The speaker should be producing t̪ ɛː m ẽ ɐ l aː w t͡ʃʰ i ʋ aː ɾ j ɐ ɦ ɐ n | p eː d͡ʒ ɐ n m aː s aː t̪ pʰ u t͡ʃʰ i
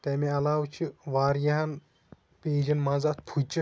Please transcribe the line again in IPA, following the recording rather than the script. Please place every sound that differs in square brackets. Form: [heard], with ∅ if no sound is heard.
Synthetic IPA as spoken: t̪ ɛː m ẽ ɐ l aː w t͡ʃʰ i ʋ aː ɾ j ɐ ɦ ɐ n | p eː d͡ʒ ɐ n m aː [z] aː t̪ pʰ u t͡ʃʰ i

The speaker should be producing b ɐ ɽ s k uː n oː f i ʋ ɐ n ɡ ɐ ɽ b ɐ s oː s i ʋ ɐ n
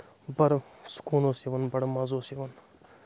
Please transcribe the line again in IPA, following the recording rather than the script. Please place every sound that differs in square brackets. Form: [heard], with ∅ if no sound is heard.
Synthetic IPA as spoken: b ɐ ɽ s k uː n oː [s] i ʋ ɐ n [b] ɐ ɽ [m] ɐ [z] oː s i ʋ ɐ n

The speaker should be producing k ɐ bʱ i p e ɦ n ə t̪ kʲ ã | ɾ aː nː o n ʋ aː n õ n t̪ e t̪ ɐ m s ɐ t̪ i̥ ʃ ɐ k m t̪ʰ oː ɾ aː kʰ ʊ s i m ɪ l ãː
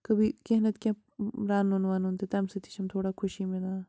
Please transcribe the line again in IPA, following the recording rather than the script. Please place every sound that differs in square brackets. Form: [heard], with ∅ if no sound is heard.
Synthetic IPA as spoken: k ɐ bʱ i [k] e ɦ n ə t̪ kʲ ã | ɾ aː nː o n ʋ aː n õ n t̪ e t̪ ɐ m s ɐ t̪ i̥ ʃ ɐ [∅] m t̪ʰ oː [ɽ] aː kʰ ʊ [ʃ] i m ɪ l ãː

